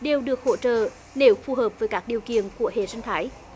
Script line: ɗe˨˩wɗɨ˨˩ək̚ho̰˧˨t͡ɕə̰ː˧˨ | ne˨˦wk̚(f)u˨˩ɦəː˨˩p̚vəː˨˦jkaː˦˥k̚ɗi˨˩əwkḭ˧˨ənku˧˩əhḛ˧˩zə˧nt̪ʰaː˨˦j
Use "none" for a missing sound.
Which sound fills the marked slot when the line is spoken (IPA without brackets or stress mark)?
f